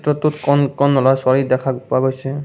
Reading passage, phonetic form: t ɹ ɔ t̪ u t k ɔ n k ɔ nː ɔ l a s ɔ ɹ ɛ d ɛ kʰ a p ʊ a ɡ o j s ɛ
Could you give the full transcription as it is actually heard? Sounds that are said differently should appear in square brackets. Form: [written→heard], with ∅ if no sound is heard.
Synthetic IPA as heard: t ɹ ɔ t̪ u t k ɔ n k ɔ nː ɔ l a s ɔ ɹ [ɛ→i] d ɛ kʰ a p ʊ a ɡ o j s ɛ